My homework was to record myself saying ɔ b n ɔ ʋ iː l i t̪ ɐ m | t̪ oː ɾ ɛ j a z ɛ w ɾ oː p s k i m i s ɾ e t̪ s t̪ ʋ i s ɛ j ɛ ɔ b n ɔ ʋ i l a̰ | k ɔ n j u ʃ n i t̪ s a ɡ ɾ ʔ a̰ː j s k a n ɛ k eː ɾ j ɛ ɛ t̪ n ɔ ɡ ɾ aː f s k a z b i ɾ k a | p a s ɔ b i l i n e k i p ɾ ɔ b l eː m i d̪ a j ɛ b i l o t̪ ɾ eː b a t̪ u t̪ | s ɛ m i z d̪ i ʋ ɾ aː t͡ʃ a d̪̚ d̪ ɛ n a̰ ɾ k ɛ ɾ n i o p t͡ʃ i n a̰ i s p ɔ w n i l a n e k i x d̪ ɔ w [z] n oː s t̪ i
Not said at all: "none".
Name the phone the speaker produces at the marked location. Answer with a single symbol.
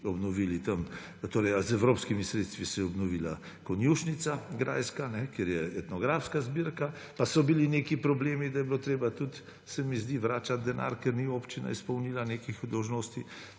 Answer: ʒ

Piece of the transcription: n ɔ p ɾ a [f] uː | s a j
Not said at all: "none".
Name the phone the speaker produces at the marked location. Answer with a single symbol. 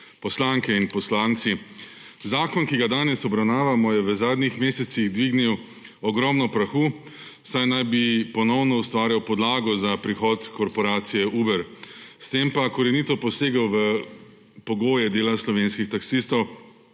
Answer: x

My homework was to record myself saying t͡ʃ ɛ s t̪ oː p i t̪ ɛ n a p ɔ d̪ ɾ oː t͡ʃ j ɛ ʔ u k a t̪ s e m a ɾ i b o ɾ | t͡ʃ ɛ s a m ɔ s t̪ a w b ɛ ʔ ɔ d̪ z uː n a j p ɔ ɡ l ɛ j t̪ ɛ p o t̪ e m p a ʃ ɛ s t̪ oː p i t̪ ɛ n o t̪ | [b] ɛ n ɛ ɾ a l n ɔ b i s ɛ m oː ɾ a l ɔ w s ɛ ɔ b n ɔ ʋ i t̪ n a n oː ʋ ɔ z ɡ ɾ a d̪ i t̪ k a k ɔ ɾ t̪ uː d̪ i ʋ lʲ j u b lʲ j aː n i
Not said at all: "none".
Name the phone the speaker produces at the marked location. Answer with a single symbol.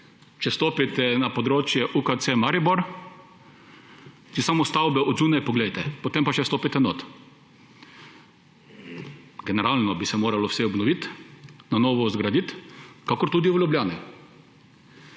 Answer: ɡ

